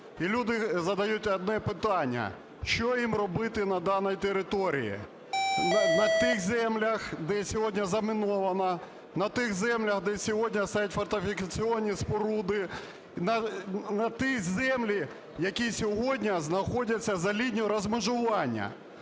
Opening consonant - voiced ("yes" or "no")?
yes